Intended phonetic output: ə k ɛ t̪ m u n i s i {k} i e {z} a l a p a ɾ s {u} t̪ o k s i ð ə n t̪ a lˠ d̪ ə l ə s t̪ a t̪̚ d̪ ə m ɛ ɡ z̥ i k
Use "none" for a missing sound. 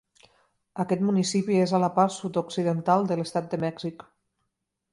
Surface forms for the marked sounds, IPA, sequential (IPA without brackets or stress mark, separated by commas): p, z, u